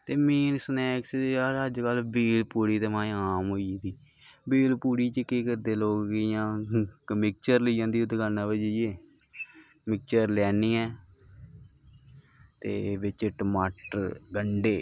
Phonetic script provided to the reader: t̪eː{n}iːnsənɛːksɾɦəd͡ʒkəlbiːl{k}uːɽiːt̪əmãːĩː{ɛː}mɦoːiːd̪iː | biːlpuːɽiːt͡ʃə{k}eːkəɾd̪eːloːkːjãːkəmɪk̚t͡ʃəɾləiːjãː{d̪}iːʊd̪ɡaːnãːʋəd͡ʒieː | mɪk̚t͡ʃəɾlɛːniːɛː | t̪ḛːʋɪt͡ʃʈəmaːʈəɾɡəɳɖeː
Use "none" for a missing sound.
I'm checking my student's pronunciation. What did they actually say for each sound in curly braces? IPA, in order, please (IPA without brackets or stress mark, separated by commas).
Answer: m, p, aː, k, d̪